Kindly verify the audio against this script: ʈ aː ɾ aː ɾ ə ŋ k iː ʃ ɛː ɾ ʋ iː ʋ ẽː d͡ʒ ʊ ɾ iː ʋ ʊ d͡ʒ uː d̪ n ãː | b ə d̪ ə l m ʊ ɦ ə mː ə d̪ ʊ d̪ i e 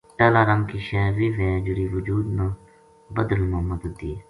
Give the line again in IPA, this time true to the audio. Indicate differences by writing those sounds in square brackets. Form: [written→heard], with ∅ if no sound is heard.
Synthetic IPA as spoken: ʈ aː [ɾ→l] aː ɾ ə ŋ k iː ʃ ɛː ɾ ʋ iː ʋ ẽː d͡ʒ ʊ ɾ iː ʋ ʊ d͡ʒ uː d̪ n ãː | b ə d̪ ə l m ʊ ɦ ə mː ə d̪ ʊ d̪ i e